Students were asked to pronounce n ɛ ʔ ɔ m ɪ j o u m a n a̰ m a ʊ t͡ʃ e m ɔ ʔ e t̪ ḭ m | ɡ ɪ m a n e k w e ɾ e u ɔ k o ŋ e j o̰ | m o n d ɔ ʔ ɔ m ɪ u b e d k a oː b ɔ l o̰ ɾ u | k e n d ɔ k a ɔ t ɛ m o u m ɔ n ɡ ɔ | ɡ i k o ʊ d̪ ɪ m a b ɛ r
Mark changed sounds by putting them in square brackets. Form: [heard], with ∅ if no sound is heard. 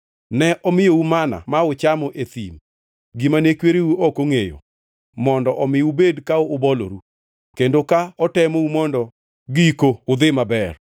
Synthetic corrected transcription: n ɛ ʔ ɔ m ɪ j o u m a n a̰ m a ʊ t͡ʃ [a] m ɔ ʔ e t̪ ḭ m | ɡ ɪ m a n e k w e ɾ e u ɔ k o ŋ e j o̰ | m [ɔ] n d ɔ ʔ ɔ m ɪ u b e d k a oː b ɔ l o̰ ɾ u | k e n d [o] k a ɔ t ɛ m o u m ɔ n [d] ɔ | ɡ i k o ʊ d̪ ɪ m a b ɛ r